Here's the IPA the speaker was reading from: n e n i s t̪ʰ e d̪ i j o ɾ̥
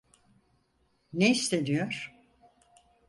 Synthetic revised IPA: n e i s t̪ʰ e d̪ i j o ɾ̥